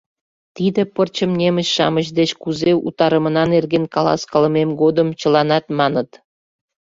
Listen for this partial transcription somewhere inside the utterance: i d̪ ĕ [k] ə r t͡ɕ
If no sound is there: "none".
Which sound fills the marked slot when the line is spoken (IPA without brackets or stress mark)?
p